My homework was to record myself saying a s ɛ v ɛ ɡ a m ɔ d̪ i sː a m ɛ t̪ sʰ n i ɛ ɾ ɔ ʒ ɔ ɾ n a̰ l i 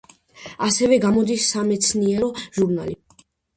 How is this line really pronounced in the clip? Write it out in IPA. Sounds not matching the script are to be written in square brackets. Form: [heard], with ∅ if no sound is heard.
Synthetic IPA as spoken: a s ɛ v ɛ ɡ a m ɔ d̪ i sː a m ɛ t̪ sʰ n i ɛ ɾ ɔ ʒ [u] ɾ n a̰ l i